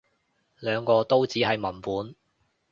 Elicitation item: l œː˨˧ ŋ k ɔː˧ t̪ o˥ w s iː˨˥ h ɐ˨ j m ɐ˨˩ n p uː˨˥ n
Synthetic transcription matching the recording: l œː˨˧ ŋ k ɔː˧ t̪ o˥ w t͡s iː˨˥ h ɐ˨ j m ɐ˨˩ n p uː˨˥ n